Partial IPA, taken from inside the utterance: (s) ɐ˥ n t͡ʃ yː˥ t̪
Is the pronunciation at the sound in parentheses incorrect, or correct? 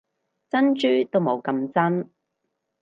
incorrect